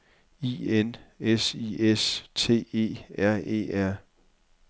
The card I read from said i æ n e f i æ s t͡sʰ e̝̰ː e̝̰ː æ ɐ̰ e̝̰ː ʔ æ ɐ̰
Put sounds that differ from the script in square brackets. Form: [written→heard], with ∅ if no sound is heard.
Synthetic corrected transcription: i [æ→e] n e [f→s] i [æ→e] s t͡sʰ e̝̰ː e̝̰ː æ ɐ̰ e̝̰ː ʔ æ ɐ̰